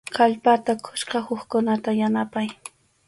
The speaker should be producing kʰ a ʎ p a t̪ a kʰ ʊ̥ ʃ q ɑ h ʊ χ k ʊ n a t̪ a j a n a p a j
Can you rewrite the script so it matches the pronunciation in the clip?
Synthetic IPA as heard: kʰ a ʎ p a t̪ a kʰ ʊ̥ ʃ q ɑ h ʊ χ k ʊ n a t̪ a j a n a p a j